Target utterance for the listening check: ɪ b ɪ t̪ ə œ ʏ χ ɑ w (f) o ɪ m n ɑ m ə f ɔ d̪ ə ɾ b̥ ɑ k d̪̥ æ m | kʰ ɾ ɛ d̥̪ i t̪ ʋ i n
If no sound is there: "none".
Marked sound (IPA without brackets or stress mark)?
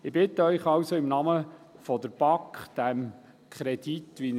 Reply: s